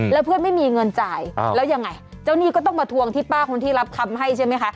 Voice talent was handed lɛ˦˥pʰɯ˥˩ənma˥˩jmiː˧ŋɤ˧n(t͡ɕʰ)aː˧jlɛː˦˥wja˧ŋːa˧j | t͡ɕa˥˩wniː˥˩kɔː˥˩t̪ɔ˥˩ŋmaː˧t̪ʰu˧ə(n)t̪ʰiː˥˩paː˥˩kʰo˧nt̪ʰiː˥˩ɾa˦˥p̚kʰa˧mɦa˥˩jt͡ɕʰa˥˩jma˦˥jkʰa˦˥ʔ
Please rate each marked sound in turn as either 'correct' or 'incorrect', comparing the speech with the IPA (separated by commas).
incorrect, incorrect